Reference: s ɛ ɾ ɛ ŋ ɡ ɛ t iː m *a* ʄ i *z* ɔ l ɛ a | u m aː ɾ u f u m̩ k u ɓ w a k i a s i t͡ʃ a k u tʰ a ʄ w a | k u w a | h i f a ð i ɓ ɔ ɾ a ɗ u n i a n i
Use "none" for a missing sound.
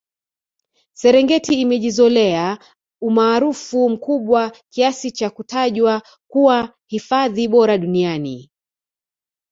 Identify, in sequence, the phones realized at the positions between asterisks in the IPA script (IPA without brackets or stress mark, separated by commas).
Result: ɛ, z